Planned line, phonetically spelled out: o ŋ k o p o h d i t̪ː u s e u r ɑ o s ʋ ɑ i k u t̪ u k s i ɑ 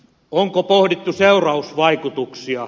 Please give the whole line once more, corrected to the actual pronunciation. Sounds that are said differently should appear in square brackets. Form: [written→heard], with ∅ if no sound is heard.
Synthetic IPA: o ŋ k o p o h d i t̪ː u s e u r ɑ [o→u] s ʋ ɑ i k u t̪ u k s i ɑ